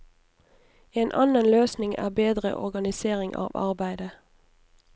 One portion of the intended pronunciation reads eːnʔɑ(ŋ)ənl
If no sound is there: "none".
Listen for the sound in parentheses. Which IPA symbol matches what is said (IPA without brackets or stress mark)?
n